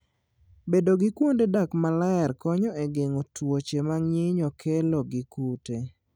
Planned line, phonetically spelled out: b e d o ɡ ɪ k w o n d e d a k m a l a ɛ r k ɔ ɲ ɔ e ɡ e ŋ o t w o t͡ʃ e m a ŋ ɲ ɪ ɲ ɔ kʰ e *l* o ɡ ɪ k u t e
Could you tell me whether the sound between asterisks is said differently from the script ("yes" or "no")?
no